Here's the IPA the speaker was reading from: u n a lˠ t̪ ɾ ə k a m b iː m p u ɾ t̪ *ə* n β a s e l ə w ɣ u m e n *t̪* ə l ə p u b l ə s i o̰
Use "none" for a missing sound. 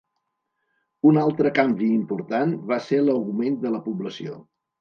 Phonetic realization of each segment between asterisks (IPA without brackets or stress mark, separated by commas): a, d̪